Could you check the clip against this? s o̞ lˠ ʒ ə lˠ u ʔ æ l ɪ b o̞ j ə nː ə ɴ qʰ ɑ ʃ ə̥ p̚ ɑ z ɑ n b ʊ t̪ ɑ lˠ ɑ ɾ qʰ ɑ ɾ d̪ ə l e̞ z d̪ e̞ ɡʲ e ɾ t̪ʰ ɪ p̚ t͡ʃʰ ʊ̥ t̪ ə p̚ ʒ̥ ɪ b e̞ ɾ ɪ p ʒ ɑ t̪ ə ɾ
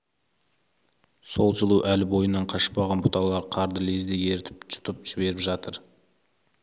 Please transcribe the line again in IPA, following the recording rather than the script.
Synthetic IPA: s o̞ lˠ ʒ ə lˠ u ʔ æ l ɪ b o̞ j ə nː ɑ ɴ qʰ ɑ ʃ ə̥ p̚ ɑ ʁ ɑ n b ʊ t̪ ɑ lˠ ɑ ɾ qʰ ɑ ɾ d̪ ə l e̞ z d̪ e̞ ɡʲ e ɾ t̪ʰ ɪ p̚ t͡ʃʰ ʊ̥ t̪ ə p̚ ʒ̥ ɪ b e̞ ɾ ɪ p ʒ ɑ t̪ ə ɾ